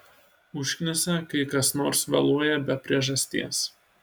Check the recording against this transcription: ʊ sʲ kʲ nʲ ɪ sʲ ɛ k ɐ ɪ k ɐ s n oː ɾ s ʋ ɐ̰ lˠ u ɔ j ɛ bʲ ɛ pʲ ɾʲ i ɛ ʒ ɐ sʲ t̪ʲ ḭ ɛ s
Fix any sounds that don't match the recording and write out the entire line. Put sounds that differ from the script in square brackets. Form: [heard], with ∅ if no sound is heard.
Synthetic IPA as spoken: ʊ [ʃʲ] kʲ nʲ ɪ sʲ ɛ k ɐ ɪ k ɐ s n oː ɾ s ʋ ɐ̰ lˠ u ɔ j ɛ bʲ ɛ pʲ ɾʲ i ɛ ʒ ɐ sʲ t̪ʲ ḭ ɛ s